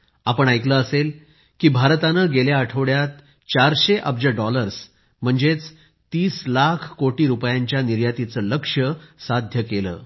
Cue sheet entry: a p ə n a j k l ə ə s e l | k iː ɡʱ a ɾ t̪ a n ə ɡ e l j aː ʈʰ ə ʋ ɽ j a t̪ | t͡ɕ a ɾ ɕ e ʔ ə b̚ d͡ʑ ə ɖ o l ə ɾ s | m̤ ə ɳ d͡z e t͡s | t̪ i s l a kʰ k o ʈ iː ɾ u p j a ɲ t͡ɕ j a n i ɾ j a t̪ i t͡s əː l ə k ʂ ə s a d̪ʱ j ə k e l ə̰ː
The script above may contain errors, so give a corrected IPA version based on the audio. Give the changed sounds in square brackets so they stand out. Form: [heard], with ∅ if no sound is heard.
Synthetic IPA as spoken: a p ə [ɳ] a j k l ə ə s e l | k iː [bʱ] a ɾ t̪ a n ə ɡ e l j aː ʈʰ ə ʋ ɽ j a t̪ | t͡ɕ a ɾ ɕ e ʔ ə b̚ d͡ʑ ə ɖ [ɔ] l ə ɾ s | m̤ ə ɳ d͡z e t͡s | t̪ [iː] s l a kʰ k o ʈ iː ɾ u p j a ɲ t͡ɕ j a n i ɾ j a t̪ i t͡s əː l ə k ʂ ə s a d̪ʱ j ə k e l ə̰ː